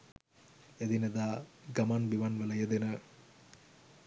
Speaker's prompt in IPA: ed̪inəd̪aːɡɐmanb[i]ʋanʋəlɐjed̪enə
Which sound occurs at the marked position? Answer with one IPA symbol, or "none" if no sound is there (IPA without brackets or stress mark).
i